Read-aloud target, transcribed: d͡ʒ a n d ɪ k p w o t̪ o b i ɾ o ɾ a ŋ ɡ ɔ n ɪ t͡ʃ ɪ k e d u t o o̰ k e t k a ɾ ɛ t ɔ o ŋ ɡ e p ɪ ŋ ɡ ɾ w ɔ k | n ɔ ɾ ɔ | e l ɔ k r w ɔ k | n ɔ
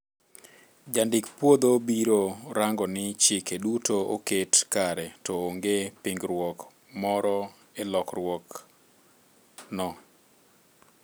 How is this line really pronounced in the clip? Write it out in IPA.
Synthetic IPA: d͡ʒ a n d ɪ k p w o d̪ o b i ɾ o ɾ a ŋ ɡ ɔ n ɪ t͡ʃ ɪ k e d u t o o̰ k e t k a ɾ ɛ t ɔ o ŋ ɡ e p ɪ ŋ ɡ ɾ w ɔ k | m ɔ ɾ ɔ | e l ɔ k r w ɔ k | n ɔ